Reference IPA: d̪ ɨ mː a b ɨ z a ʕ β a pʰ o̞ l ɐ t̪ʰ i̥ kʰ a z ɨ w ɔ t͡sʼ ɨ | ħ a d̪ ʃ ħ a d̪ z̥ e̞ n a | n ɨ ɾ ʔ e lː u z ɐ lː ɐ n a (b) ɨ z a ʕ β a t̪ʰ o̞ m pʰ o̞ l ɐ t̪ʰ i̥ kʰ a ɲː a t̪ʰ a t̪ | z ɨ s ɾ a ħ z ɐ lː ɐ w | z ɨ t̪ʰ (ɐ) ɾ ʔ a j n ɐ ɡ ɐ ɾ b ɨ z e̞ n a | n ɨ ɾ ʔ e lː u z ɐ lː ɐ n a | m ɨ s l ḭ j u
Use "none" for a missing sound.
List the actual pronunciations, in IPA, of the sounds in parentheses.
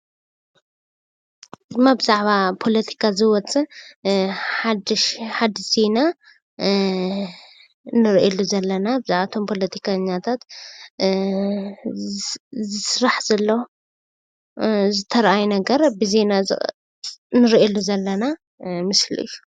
b, ɐ

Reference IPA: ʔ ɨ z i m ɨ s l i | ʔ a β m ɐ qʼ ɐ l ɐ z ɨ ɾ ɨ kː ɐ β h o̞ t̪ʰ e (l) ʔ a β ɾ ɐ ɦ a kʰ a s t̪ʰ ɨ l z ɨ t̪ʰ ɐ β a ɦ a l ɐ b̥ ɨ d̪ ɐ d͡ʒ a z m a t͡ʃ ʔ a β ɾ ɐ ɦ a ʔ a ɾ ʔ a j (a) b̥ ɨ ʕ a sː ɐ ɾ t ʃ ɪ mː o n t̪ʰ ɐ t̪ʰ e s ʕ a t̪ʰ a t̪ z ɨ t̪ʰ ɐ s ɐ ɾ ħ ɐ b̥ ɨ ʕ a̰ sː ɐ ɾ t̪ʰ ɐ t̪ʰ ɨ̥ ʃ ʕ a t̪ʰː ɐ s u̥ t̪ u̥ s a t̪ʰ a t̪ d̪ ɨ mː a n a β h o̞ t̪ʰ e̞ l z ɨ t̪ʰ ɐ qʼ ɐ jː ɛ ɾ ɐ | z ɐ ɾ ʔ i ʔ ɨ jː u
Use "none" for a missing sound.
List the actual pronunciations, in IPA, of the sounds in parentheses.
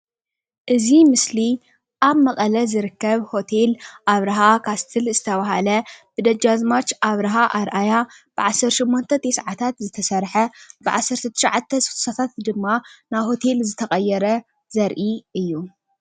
l, a

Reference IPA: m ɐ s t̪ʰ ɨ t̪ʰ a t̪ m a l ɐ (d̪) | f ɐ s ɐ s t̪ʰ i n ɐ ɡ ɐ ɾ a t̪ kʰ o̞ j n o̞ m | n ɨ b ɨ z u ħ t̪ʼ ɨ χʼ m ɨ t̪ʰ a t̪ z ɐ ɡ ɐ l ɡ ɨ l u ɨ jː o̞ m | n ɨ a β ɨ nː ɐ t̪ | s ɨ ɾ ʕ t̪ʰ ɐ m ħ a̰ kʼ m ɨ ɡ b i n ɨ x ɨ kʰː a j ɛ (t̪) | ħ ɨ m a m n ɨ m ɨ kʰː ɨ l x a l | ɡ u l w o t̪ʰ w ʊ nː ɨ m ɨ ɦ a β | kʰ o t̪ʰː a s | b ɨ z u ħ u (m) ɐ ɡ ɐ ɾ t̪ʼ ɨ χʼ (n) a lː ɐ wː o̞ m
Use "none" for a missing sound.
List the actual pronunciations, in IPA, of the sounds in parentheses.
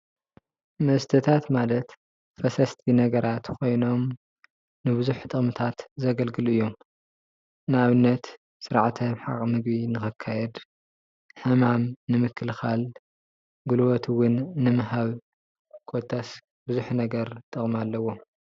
t̪, d̪, n, m

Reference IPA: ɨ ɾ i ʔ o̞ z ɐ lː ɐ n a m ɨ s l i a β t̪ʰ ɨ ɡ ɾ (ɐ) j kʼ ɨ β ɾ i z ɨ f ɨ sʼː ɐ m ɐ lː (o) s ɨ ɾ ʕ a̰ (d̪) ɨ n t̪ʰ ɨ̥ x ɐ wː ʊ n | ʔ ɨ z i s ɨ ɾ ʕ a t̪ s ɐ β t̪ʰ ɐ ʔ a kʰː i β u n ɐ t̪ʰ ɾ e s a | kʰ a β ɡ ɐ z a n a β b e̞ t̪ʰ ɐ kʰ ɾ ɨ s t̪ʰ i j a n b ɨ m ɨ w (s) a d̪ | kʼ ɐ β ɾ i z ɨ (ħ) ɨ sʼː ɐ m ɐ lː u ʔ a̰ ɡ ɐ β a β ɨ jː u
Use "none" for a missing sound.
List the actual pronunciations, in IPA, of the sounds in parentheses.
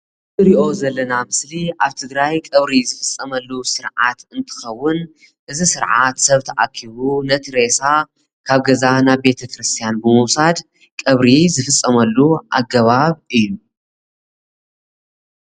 a, u, t̪, s, f

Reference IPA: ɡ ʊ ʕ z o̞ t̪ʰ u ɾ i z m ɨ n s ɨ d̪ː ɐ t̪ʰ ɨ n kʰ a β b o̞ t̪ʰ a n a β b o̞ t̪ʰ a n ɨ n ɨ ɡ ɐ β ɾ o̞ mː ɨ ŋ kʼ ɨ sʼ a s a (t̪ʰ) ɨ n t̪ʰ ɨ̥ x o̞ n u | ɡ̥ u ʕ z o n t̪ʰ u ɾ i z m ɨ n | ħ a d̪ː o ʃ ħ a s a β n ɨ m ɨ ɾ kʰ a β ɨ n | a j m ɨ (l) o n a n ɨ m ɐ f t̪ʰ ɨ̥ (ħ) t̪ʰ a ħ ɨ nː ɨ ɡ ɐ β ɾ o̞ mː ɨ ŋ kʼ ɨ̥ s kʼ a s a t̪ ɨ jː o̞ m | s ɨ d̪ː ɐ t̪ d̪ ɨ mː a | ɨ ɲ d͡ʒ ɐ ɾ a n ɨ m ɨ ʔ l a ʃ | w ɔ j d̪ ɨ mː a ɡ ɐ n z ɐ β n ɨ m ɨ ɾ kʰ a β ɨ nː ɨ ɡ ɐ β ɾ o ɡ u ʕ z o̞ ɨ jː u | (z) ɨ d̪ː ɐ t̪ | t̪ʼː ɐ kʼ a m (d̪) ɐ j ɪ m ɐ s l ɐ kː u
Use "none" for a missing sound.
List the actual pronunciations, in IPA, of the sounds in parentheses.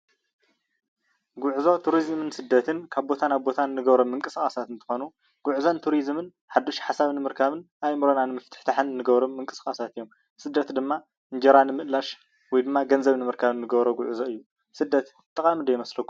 t̪, ɾ, ħ, s, d̪

